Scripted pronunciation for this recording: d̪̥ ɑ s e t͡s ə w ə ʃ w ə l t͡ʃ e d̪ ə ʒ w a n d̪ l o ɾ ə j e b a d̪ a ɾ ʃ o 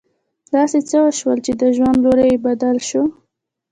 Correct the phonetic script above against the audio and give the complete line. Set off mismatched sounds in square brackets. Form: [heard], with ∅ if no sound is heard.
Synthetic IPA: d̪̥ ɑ s e t͡s ə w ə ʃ w ə l t͡ʃ e d̪ ə ʒ w a n d̪ l o ɾ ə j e b a d̪ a [l] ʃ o